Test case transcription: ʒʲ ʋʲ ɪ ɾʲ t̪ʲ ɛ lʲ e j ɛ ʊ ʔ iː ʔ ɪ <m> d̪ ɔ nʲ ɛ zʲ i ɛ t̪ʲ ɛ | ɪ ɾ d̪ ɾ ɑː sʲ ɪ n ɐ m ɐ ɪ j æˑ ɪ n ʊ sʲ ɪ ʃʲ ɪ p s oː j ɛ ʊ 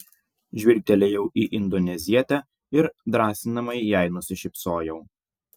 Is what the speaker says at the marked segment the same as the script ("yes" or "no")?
no